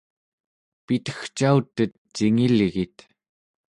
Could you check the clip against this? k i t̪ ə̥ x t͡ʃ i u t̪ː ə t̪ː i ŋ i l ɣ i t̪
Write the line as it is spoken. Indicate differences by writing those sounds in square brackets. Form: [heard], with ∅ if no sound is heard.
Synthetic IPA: [p] i t̪ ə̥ x t͡ʃ [a] u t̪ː ə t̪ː i ŋ i l ɣ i t̪